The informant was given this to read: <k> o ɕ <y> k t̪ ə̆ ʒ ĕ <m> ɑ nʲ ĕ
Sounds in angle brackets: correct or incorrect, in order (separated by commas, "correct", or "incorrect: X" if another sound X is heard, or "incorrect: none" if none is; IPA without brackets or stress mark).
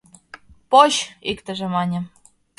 incorrect: p, incorrect: i, correct